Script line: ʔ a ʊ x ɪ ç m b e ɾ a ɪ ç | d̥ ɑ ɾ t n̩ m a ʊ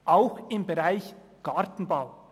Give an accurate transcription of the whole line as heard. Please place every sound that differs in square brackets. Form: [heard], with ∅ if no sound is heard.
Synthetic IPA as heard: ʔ a ʊ x ɪ [∅] m b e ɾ a ɪ ç | [ɡ̥] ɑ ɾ t n̩ [b] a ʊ